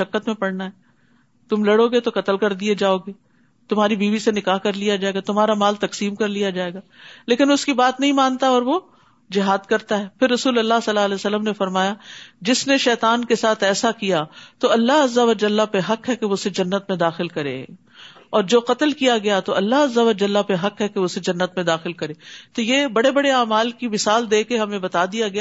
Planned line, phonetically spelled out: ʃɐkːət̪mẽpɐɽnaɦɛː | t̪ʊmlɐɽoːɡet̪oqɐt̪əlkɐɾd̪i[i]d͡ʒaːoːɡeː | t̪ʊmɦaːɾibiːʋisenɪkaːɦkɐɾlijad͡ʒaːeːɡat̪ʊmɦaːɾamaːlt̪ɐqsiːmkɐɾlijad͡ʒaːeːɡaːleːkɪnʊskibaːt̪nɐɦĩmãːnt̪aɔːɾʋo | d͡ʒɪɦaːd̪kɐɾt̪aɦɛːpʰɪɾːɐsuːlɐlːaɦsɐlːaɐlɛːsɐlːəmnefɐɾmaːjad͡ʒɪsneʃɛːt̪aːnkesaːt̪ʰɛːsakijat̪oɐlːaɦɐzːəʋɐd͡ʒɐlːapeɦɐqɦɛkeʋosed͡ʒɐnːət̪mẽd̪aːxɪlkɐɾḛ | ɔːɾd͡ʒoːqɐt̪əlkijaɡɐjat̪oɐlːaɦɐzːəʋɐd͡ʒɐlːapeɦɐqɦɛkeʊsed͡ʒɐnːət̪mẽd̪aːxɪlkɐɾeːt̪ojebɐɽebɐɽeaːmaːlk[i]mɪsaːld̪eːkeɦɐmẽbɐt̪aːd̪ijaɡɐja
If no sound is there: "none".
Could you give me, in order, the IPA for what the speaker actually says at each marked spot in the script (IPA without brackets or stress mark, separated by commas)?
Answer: e, i